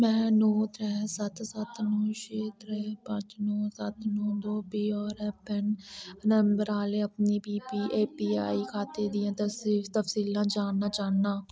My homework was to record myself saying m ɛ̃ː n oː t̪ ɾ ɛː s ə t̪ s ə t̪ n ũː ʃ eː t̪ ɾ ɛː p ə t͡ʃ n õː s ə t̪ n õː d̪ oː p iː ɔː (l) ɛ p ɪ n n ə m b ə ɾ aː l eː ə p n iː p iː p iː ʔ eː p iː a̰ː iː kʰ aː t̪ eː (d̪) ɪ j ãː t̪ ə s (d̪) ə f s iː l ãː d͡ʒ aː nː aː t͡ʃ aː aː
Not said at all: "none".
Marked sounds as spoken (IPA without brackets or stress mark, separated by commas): ɾ, d̪, t̪